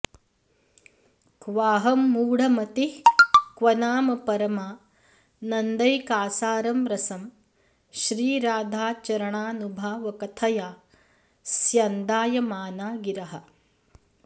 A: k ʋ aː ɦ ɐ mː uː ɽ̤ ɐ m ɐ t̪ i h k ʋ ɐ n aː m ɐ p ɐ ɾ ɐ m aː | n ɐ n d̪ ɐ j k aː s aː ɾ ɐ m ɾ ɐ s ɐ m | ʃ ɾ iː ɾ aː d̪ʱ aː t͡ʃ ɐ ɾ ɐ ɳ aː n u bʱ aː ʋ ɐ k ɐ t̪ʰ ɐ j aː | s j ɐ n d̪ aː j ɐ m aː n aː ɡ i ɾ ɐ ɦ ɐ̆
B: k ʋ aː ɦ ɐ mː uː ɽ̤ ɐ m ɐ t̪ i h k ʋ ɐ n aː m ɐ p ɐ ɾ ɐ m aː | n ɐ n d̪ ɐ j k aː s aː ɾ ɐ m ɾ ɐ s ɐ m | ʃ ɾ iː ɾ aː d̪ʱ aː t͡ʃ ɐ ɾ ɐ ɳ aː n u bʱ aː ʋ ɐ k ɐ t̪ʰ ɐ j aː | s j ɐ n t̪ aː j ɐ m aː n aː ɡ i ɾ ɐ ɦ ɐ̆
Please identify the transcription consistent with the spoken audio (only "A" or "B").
A